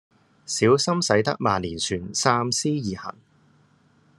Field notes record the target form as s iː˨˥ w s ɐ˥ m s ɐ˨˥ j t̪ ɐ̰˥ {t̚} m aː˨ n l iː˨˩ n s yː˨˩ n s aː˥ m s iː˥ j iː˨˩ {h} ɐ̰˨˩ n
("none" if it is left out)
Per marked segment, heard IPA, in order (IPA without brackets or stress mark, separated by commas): k̚, h